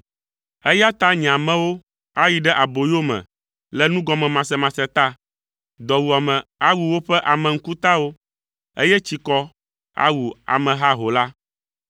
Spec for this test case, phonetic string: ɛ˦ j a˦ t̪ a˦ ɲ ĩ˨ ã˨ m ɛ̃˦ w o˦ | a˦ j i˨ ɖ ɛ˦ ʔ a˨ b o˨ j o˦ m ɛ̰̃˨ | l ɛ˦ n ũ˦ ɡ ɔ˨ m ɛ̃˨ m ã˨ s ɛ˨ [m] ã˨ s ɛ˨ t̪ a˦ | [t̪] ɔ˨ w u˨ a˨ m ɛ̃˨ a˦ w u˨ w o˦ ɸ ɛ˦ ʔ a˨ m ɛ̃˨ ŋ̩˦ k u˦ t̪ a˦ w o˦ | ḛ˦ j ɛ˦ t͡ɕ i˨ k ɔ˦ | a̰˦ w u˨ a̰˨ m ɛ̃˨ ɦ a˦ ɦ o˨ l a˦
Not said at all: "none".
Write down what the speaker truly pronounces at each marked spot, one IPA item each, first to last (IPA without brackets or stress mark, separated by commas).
m, d̪